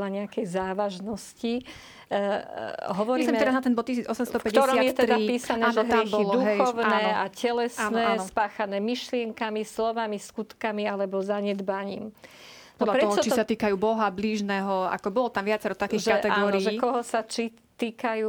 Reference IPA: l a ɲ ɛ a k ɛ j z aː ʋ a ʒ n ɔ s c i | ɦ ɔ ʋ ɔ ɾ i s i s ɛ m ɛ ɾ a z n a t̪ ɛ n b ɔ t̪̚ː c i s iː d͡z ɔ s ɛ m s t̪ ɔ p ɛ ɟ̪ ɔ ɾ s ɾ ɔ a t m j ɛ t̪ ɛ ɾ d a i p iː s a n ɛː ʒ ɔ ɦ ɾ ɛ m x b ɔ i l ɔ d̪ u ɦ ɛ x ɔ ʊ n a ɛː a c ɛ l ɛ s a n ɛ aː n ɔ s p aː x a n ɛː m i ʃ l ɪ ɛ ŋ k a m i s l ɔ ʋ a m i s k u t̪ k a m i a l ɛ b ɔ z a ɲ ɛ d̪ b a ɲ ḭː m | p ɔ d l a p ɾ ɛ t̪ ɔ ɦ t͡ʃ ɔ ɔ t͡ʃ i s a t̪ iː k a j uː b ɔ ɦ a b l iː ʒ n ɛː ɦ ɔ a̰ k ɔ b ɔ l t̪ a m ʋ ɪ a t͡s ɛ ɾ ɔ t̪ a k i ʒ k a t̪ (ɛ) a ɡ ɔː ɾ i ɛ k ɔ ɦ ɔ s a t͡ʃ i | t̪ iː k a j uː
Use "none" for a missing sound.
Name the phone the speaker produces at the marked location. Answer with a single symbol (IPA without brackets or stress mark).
ɛ